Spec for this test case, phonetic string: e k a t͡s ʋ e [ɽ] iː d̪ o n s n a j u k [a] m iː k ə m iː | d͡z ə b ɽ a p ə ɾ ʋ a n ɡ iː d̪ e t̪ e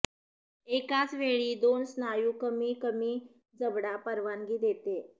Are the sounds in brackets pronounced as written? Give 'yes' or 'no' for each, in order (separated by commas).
no, no